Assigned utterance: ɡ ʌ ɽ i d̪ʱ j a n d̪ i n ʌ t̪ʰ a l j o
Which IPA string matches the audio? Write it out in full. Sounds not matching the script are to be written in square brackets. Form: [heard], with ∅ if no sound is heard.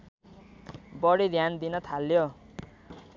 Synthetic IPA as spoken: [b] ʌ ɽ i d̪ʱ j a n d̪ i n ʌ t̪ʰ a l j o